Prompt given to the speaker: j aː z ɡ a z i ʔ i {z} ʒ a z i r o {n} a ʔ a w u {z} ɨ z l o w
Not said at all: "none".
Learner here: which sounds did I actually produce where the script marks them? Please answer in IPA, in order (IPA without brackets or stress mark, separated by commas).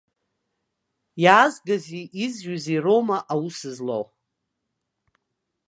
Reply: z, m, s